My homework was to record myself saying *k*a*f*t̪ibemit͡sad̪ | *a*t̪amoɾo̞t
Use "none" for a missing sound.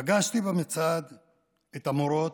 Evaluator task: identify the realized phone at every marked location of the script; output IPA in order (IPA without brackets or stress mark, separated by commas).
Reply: ɡ, ʃ, e